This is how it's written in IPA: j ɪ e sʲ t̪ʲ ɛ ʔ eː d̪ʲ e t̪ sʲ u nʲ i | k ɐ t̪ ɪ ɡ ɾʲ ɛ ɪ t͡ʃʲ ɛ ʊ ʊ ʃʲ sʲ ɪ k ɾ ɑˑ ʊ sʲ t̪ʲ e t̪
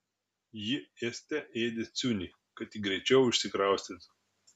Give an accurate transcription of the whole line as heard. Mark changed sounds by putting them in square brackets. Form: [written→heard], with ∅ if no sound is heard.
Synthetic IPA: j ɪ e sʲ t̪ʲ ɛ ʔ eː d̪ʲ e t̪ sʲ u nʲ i | k ɐ t̪ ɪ ɡ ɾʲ ɛ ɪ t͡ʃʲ ɛ ʊ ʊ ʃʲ sʲ ɪ k ɾ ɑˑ ʊ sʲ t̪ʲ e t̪